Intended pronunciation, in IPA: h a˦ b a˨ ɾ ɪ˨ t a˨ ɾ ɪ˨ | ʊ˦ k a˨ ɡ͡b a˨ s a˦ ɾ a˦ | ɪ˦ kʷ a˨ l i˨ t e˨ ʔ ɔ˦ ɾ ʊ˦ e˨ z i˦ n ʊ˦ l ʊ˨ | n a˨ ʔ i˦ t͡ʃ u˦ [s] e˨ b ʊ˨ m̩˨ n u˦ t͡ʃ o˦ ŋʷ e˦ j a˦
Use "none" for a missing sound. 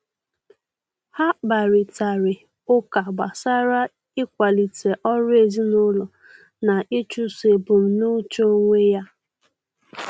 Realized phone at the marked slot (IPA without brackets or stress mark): s